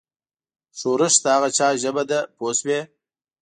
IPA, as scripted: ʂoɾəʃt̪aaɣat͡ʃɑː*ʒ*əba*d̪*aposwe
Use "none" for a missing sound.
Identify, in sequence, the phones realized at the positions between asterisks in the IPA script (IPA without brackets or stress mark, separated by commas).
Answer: ʒ, d̪